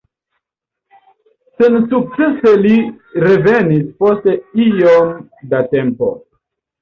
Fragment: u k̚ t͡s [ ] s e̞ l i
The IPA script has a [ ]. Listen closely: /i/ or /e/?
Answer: e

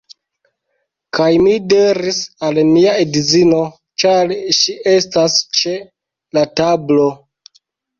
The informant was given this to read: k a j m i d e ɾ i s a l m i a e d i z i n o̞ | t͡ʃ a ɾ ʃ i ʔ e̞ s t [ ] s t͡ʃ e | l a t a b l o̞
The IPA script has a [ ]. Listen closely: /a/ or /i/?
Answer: a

